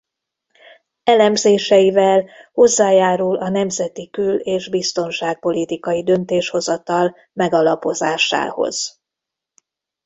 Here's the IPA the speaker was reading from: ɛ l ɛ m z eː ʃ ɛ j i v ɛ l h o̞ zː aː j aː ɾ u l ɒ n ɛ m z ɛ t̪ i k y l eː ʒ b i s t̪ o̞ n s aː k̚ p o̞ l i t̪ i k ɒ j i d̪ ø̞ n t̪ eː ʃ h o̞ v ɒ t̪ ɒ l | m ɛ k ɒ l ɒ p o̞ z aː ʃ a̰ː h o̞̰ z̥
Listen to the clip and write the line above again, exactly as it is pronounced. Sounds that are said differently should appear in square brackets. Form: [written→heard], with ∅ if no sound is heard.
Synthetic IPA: ɛ l ɛ m z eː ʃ ɛ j i v ɛ l h o̞ zː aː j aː ɾ u l ɒ n ɛ m z ɛ t̪ i k y l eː ʒ b i s t̪ o̞ n [s→ʃ] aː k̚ p o̞ l i t̪ i k ɒ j i d̪ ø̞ n t̪ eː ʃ h o̞ [v→z] ɒ t̪ ɒ l | m ɛ [k→ɡ] ɒ l ɒ p o̞ z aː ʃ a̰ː h o̞̰ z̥